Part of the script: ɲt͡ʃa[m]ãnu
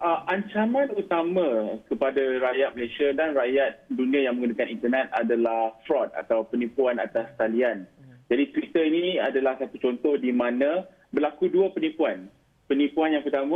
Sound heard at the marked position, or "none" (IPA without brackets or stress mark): m